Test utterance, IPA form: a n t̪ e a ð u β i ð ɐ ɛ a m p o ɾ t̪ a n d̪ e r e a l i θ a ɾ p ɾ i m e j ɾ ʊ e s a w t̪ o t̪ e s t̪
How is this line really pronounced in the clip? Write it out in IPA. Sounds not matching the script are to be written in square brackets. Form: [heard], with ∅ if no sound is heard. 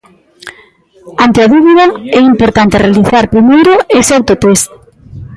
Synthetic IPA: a n t̪ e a ð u β i ð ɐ ɛ [i] m p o ɾ t̪ a n [t̪] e r e a l i θ a ɾ p ɾ i m e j ɾ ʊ e s a w t̪ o t̪ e s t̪